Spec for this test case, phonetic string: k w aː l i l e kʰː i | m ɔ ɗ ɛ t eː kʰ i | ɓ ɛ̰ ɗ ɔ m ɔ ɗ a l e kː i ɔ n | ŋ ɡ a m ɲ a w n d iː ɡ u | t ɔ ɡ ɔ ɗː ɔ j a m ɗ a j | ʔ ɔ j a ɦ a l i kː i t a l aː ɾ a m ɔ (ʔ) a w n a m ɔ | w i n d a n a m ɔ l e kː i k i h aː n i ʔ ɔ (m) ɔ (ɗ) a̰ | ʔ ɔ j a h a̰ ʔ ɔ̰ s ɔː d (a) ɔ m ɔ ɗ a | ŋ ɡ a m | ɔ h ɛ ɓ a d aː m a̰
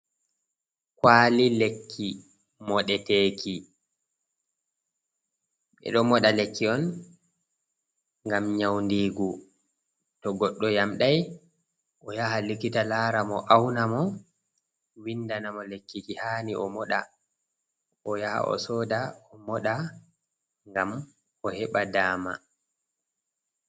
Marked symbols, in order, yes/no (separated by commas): yes, yes, yes, yes